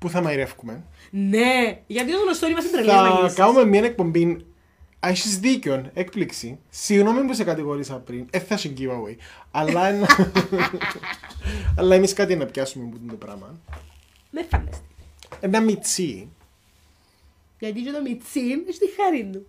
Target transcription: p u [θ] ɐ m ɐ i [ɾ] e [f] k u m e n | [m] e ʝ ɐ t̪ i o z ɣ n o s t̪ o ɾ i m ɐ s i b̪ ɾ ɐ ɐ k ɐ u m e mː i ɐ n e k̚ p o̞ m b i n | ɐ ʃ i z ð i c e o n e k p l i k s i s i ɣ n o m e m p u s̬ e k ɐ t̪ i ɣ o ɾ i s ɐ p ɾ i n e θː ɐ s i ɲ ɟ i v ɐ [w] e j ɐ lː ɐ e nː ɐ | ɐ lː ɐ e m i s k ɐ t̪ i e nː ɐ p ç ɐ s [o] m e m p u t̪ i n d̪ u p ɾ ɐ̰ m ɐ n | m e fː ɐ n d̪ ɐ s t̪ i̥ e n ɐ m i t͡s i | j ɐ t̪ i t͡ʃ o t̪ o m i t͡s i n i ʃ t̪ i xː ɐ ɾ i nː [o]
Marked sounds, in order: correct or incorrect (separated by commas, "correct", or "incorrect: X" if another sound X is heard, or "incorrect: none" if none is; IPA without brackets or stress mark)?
correct, correct, correct, incorrect: n, correct, incorrect: u, incorrect: u